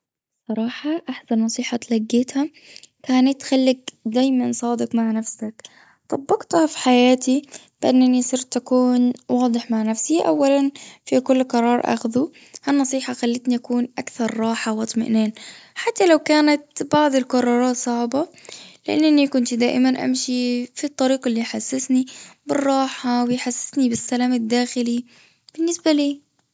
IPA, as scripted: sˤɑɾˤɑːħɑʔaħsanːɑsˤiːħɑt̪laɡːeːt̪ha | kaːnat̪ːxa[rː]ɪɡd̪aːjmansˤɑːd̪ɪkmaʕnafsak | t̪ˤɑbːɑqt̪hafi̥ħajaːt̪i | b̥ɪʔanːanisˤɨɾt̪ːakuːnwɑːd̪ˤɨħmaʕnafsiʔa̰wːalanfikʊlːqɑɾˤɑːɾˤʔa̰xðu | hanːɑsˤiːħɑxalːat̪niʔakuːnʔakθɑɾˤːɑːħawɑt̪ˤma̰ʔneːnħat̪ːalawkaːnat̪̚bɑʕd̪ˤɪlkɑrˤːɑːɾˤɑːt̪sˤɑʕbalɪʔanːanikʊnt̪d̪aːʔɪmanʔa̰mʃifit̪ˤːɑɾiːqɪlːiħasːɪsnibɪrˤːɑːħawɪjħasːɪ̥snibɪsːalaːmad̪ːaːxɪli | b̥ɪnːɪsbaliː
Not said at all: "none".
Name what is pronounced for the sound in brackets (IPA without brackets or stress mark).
lː